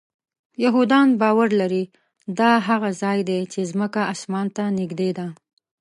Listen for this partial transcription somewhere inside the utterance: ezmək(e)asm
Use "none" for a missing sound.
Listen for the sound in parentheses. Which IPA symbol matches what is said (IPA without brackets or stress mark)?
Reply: a